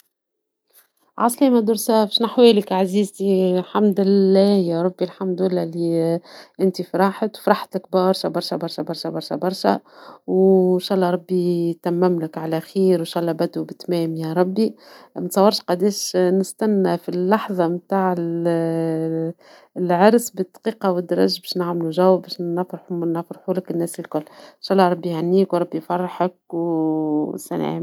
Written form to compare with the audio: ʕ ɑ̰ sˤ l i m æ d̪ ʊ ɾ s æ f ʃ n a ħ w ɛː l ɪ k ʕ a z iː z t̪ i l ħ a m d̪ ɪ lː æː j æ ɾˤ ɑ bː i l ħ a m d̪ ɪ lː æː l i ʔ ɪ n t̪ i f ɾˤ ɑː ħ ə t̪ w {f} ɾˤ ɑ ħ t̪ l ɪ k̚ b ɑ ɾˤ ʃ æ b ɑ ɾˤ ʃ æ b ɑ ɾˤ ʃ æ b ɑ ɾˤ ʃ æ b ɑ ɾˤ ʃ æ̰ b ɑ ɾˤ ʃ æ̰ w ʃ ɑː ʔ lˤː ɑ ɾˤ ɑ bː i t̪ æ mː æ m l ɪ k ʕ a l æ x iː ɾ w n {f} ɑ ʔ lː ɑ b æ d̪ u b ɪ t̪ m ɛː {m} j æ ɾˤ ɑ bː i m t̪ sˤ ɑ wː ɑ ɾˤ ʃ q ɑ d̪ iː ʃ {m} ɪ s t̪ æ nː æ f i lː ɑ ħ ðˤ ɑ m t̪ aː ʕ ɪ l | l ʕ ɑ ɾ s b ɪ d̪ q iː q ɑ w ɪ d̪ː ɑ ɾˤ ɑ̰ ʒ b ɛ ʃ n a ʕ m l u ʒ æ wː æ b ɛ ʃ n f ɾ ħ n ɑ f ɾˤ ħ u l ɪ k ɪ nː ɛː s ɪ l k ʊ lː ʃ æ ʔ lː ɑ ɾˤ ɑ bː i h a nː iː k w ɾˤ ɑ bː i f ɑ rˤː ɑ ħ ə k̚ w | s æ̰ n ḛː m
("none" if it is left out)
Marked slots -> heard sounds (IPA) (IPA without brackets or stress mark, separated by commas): f, ʃ, m, n